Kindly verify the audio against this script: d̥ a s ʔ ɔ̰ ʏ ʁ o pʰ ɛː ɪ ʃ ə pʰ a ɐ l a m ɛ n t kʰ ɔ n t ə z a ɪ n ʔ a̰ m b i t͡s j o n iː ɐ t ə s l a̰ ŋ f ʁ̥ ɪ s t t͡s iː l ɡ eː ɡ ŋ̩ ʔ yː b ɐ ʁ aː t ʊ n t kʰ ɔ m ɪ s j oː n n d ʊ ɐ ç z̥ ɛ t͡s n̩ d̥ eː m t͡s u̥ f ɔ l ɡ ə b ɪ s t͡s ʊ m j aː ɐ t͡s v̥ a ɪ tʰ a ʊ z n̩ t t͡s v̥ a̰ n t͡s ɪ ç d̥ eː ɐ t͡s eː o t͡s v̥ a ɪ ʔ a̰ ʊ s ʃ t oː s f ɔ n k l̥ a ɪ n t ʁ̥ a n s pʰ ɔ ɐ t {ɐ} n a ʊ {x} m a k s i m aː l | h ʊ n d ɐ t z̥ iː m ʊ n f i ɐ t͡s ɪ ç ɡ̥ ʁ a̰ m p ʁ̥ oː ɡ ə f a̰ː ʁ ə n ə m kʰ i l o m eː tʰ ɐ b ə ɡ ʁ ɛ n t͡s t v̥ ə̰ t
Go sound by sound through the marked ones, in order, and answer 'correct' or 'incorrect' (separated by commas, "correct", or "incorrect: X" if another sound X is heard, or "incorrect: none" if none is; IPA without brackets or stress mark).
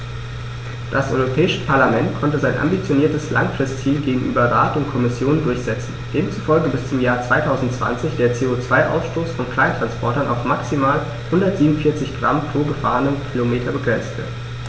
correct, incorrect: f